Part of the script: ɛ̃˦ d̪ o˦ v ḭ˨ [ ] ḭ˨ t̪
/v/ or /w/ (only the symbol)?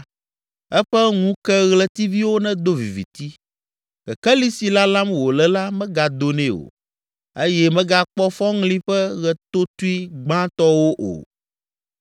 v